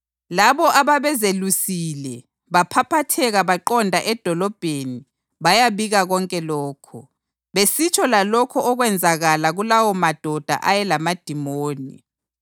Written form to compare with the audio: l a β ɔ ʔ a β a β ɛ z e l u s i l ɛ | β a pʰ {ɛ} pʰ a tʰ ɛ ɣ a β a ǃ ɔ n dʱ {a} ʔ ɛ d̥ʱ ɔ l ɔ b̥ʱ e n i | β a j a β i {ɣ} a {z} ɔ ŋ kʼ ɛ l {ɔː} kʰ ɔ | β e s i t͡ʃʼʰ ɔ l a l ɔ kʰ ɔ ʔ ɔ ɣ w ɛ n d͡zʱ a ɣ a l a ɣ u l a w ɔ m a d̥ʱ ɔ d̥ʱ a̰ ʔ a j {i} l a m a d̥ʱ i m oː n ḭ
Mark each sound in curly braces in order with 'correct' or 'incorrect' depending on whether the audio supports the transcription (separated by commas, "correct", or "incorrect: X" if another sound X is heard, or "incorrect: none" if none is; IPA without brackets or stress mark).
incorrect: a, correct, correct, incorrect: ɣ, correct, incorrect: ɛ